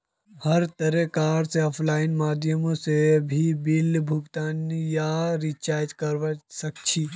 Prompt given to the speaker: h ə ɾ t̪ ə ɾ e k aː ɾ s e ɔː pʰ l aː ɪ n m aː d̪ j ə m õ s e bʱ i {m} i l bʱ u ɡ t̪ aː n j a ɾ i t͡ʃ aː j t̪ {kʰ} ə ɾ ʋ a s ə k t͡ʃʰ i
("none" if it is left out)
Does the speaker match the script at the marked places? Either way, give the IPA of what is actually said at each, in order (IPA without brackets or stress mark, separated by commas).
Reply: b, k